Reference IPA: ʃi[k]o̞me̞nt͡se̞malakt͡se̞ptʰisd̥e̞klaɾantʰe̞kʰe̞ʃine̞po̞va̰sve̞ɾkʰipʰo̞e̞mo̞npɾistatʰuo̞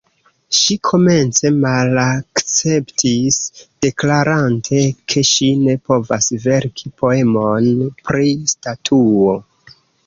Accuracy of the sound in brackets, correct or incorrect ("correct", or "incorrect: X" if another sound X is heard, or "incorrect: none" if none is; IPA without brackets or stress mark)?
incorrect: kʰ